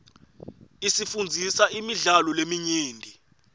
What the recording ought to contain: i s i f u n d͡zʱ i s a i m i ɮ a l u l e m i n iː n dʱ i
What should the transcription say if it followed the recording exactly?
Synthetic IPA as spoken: i s i f u n d͡zʱ i s a i m i ɮ a l ɔ l e m i ɲ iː n dʱ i